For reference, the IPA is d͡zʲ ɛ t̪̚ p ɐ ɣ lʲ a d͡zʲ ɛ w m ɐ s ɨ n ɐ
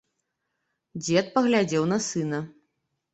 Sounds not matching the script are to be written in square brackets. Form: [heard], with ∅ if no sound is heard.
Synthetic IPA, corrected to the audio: d͡zʲ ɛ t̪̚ p ɐ ɣ lʲ a d͡zʲ ɛ w [n] ɐ s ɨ n ɐ